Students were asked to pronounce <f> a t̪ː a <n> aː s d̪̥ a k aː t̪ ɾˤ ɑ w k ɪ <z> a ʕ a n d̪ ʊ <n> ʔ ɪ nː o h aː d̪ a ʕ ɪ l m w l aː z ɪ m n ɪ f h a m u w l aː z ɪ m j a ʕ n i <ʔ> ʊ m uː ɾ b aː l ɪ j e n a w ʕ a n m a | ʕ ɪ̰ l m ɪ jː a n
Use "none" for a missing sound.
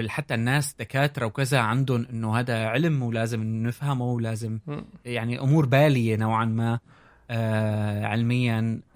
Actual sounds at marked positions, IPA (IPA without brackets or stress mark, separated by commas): ħ, nː, z, n, ʔ